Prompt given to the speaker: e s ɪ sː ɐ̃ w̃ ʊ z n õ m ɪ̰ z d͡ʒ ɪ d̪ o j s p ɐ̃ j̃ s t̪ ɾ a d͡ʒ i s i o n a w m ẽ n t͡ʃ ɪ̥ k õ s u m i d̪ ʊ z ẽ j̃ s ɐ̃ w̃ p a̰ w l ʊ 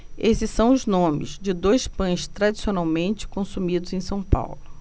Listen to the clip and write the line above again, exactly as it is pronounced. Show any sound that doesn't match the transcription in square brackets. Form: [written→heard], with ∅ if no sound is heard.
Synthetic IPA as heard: e s ɪ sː ɐ̃ w̃ ʊ z n õ m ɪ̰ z d͡ʒ ɪ d̪ o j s p ɐ̃ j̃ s t̪ ɾ a d͡ʒ i s i o n a w m ẽ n t͡ʃ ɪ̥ k õ s u m i d̪ ʊ z ẽ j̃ s ɐ̃ w̃ p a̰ w l ʊ